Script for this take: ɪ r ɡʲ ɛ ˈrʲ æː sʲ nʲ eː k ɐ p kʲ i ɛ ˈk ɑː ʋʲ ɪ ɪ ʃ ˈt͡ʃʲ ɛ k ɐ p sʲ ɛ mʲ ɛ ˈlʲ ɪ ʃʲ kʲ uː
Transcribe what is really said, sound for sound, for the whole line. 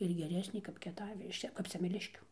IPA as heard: ɪ r ɡʲ ɛ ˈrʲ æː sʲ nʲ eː k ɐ p kʲ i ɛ ˈt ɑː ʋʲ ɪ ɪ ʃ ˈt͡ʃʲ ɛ k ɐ p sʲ ɛ mʲ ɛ ˈlʲ ɪ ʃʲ kʲ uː